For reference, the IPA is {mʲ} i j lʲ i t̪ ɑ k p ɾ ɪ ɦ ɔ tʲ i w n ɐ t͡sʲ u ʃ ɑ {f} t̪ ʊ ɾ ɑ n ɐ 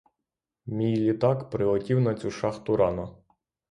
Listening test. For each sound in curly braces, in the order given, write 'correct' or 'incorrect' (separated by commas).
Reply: correct, incorrect